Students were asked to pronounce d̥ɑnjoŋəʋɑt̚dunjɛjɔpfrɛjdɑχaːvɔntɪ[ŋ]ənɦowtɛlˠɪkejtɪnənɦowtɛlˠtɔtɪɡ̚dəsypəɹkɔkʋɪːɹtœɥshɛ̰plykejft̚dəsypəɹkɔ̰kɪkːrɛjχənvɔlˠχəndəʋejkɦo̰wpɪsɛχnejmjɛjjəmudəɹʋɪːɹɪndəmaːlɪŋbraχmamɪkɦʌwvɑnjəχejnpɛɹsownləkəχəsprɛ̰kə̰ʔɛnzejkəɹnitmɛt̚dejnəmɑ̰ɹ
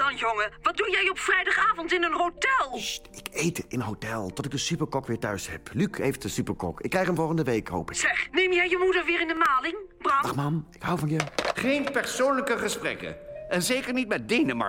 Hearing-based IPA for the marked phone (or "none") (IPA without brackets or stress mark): n